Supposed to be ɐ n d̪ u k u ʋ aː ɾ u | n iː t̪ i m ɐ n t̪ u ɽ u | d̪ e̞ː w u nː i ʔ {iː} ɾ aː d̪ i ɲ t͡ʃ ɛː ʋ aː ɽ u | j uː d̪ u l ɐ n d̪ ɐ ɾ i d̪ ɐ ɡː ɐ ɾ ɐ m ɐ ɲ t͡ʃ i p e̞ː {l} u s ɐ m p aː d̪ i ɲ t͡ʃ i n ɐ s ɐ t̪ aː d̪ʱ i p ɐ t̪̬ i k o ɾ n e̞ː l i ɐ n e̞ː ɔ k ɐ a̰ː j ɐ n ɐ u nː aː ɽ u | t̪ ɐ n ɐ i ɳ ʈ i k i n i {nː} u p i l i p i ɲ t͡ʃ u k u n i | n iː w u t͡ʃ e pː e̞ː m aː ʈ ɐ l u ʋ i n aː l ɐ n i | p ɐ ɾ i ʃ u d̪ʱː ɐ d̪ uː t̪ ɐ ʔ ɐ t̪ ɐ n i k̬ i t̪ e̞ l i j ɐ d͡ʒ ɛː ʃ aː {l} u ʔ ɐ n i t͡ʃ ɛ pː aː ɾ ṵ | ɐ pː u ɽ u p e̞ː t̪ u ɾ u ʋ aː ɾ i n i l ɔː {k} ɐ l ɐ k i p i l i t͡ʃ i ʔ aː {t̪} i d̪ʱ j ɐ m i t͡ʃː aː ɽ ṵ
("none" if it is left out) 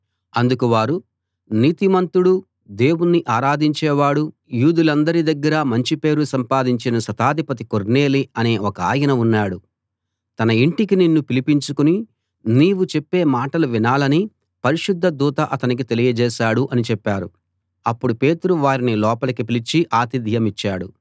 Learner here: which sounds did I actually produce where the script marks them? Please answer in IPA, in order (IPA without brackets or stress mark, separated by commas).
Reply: aː, ɾ, nː, ɽ, p, t̪